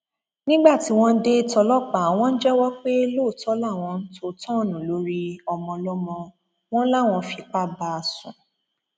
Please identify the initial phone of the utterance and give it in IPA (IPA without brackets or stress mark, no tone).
n